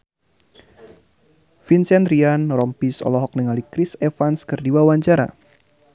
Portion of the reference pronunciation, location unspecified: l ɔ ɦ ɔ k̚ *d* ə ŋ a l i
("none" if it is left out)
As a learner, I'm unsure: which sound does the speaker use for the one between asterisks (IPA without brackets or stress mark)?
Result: n